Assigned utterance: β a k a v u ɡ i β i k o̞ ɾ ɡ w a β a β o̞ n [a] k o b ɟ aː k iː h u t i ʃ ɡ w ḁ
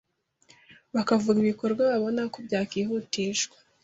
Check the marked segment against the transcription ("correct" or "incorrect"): correct